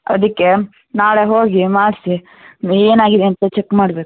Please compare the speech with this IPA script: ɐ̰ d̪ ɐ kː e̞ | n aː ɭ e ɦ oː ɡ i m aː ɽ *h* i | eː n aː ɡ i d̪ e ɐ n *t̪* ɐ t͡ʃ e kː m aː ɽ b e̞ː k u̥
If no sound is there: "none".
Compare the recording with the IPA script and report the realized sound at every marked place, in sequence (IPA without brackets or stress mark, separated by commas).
s, t̪